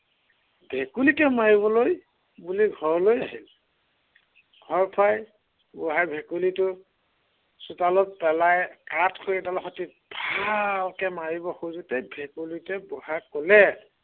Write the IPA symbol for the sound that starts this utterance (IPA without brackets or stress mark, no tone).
bʱ